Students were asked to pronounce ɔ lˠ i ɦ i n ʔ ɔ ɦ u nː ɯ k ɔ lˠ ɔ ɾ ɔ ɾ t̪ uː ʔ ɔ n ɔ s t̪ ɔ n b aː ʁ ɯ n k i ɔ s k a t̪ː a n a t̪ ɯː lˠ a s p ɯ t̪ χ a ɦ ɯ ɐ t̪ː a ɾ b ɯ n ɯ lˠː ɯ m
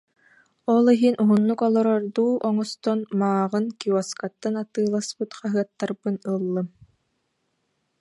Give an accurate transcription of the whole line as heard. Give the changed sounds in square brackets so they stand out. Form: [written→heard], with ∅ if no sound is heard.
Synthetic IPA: ɔ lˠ i ɦ i n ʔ [ɔ→u] ɦ u nː [ɯ→u] k ɔ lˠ ɔ ɾ ɔ ɾ [t̪→d̪] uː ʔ ɔ [n→ŋ] ɔ s t̪ ɔ n [b→m] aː ʁ ɯ n k i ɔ s k a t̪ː a n a t̪ ɯː lˠ a s p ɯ t̪ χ a ɦ ɯ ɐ t̪ː a ɾ b ɯ n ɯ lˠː ɯ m